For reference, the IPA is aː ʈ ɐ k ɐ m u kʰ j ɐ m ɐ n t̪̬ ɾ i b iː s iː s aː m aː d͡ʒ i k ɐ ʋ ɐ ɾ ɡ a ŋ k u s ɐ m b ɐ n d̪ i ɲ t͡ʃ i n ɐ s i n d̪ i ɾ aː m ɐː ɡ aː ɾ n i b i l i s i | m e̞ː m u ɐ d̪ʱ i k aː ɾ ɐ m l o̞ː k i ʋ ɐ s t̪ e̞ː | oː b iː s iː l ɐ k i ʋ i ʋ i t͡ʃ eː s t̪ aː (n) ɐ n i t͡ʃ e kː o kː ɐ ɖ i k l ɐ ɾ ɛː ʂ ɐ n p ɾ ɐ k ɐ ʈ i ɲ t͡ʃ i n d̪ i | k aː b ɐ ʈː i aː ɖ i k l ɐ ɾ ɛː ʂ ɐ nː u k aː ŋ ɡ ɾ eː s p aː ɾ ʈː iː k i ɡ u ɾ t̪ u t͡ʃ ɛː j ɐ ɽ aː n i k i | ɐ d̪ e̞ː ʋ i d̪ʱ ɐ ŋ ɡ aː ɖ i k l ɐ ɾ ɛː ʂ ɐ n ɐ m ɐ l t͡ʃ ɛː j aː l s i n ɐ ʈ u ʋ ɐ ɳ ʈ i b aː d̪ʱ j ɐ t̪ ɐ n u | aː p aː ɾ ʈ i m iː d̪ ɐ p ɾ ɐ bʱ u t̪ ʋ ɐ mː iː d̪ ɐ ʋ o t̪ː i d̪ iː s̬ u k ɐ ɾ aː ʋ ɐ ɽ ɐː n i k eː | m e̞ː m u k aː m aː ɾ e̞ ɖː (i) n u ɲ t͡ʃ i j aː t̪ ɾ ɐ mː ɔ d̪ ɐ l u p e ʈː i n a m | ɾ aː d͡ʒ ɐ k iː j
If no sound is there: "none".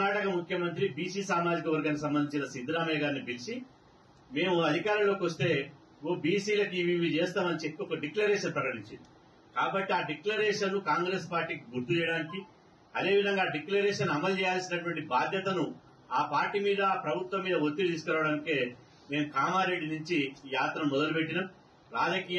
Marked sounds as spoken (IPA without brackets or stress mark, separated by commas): m, i